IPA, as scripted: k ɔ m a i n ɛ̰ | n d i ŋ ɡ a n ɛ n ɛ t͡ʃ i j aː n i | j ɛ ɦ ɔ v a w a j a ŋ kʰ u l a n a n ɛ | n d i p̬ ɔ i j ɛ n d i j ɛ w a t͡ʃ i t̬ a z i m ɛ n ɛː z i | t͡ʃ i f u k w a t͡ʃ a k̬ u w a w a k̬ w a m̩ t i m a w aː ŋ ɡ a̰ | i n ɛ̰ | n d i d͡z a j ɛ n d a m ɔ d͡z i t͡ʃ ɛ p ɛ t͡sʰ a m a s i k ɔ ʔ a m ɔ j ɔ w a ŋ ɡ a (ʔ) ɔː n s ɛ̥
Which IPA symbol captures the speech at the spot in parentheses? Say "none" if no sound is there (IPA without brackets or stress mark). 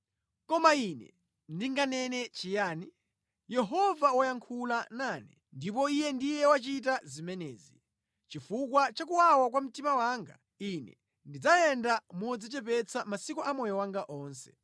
ʔ